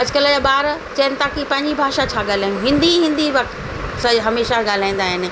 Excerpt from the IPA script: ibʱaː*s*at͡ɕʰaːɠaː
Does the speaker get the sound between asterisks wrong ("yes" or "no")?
yes